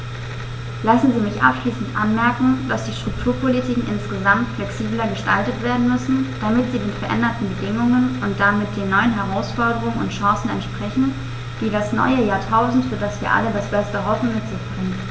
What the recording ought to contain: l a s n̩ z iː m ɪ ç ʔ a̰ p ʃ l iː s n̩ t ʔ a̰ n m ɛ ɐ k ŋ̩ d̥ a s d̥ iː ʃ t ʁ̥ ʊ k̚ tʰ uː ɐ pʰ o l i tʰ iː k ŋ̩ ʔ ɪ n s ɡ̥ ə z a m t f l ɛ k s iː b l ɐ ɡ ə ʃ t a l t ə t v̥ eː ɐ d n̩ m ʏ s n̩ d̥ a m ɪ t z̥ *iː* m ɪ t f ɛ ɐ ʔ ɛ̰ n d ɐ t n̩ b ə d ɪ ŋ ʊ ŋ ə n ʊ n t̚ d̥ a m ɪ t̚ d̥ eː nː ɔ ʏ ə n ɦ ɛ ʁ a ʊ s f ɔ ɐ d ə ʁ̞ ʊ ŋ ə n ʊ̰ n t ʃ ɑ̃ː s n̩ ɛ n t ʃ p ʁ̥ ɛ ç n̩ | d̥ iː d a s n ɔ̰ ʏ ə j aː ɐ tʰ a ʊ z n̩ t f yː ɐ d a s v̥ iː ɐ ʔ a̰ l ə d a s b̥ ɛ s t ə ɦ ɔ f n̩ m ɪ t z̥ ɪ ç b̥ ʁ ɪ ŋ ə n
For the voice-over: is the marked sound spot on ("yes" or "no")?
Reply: yes